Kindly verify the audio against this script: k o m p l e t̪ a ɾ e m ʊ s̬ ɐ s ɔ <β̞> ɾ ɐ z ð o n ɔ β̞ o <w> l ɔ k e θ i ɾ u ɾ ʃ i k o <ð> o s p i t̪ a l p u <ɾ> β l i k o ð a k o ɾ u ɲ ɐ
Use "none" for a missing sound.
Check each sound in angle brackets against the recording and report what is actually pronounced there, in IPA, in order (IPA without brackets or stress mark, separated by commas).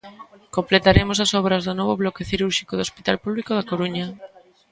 β̞, β, ð, none